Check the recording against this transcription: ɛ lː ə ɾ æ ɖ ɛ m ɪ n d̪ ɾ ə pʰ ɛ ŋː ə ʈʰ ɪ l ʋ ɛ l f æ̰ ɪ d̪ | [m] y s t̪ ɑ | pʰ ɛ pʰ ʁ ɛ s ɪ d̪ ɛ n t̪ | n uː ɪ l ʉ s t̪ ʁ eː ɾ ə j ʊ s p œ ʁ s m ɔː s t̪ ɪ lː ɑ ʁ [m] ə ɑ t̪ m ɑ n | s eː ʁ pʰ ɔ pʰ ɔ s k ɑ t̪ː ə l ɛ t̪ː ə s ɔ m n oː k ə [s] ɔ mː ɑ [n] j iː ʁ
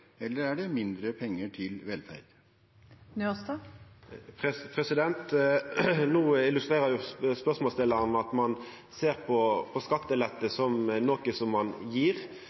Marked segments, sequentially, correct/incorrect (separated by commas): incorrect, incorrect, correct, correct